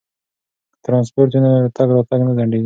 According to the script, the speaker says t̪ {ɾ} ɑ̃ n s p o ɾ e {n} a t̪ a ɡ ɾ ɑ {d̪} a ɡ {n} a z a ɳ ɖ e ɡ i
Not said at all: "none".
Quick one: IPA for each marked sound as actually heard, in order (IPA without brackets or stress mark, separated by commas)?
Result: ɾ, n, t̪, n